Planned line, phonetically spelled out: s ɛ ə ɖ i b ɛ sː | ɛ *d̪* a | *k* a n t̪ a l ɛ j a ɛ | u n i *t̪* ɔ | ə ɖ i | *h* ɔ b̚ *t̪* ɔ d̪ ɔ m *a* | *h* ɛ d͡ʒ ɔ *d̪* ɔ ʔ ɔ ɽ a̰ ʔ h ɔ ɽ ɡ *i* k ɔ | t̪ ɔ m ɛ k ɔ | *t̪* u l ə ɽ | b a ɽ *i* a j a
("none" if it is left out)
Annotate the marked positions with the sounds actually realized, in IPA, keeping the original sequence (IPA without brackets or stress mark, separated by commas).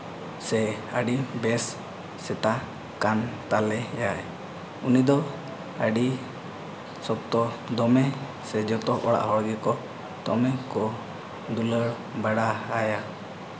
t̪, k, d̪, s, t̪, ɛ, s, t̪, ɛ, d̪, a